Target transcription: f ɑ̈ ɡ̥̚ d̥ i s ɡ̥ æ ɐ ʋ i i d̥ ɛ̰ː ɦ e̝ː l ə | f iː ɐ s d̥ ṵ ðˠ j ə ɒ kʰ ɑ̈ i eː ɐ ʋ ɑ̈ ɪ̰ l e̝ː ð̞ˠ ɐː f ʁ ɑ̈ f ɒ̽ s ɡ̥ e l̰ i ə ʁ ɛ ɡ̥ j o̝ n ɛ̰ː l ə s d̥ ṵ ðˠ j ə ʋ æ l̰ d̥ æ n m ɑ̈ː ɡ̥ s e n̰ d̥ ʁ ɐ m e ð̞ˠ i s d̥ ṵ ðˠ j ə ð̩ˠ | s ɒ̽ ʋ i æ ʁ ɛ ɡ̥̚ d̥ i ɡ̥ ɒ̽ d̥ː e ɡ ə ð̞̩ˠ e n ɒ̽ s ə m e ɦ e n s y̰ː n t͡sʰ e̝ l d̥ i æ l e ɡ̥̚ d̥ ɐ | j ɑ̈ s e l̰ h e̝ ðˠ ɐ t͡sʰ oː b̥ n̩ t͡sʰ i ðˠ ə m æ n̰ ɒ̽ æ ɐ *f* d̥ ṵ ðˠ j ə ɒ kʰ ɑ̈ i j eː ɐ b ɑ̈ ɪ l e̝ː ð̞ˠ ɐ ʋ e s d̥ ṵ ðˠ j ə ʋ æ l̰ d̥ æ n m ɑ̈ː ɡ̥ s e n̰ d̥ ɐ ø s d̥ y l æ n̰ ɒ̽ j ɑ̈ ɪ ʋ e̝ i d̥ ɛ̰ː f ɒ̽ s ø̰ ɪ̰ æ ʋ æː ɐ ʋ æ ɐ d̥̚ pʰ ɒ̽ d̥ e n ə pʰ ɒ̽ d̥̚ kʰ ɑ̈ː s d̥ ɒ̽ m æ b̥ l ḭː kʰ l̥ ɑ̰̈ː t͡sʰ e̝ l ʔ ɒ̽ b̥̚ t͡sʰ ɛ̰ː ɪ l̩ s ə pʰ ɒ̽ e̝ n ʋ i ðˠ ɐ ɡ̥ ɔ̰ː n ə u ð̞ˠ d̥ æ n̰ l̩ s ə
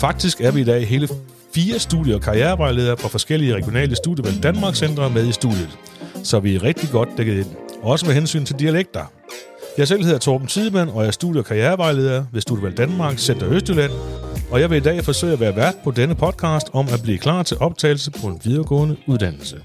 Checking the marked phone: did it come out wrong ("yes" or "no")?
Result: yes